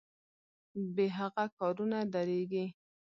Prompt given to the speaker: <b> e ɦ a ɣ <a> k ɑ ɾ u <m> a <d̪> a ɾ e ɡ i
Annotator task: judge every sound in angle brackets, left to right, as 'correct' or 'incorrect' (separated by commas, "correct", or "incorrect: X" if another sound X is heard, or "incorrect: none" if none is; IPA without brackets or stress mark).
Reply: correct, correct, incorrect: n, correct